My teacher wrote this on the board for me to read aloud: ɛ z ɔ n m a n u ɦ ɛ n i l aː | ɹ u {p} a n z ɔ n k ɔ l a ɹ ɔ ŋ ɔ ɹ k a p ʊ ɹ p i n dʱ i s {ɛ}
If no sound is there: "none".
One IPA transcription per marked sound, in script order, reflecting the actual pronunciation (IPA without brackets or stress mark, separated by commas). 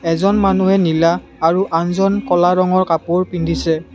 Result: ʔ, ɛ